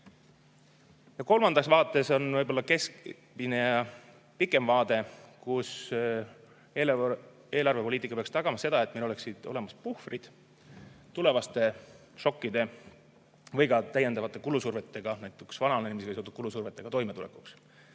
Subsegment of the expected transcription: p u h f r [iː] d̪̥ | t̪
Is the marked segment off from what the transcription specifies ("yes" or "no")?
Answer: yes